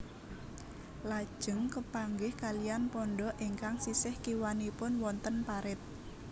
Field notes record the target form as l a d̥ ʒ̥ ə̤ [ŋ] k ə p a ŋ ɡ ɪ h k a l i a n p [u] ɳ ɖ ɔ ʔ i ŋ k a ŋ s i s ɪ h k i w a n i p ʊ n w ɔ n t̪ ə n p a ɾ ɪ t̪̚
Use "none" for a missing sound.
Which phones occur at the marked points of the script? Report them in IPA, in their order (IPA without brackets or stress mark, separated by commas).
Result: ŋ, ɔ